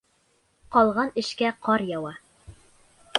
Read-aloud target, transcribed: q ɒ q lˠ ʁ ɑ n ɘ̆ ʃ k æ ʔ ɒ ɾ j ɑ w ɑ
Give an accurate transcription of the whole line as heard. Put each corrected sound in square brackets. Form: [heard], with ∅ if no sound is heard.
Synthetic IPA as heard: q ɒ [∅] lˠ ʁ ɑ n ɘ̆ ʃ k æ [q] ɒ ɾ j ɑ w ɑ

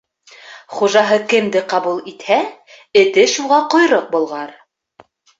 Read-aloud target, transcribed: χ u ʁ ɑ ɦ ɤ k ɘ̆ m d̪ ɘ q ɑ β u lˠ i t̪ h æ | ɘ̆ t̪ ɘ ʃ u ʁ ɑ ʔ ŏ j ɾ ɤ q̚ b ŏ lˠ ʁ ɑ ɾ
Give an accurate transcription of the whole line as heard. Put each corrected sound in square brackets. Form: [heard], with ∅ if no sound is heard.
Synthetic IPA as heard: χ u [ʒ] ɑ ɦ ɤ k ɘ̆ m d̪ ɘ q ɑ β u lˠ i t̪ h æ | ɘ̆ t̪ ɘ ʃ u ʁ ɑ [q] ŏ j ɾ ɤ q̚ b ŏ lˠ ʁ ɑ ɾ

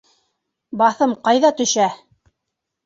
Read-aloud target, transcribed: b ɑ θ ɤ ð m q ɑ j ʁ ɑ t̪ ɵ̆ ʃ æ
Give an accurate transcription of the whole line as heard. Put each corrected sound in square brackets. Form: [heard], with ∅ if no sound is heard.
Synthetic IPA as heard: b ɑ θ ɤ [∅] m q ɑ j [ð] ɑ t̪ ɵ̆ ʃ æ

